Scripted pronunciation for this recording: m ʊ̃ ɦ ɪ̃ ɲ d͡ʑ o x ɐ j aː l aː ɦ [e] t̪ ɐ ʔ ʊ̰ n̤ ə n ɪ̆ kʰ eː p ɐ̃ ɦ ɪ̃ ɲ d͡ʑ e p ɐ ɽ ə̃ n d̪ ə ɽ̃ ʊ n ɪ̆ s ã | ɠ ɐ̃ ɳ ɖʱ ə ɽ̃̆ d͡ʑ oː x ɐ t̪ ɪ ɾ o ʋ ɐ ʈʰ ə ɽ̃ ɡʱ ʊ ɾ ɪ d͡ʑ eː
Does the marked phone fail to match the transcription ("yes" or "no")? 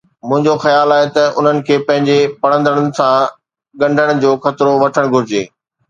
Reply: no